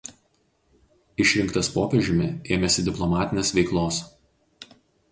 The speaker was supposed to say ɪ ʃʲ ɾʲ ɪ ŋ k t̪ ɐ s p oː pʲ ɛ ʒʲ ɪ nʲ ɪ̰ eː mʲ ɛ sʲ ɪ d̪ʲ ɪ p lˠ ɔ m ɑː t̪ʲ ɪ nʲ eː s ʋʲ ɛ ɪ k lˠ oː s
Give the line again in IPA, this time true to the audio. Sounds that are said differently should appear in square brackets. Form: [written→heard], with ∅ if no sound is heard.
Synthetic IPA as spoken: ɪ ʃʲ ɾʲ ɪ ŋ k t̪ ɐ s p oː pʲ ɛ ʒʲ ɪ [nʲ→mʲ] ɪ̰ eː mʲ ɛ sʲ ɪ d̪ʲ ɪ p lˠ ɔ m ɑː t̪ʲ ɪ nʲ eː s ʋʲ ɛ ɪ k lˠ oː s